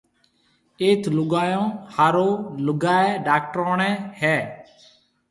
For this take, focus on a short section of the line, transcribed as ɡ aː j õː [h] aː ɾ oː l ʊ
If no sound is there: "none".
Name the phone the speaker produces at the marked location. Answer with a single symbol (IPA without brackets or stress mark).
h